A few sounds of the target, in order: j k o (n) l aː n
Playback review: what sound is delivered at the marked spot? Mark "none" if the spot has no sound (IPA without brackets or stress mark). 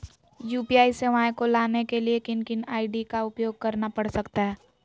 none